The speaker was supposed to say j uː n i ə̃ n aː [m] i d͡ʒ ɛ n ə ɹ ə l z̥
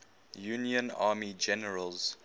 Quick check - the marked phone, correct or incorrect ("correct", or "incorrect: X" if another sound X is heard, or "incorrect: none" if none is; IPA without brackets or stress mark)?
correct